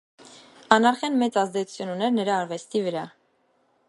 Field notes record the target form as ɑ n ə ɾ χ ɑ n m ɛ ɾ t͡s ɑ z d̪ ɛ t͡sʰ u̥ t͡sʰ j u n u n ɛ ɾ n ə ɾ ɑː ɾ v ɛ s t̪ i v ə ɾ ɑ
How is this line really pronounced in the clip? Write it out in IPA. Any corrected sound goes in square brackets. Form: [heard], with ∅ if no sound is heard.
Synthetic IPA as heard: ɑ n [ɑ] ɾ χ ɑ n m ɛ [∅] t͡s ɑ z d̪ ɛ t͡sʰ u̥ t͡sʰ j u n u n ɛ ɾ n ə ɾ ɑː ɾ v ɛ s t̪ i v ə ɾ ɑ